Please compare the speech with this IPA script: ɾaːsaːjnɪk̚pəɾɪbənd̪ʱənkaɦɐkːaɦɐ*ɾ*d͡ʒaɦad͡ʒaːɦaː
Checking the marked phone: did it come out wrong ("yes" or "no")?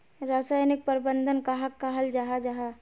yes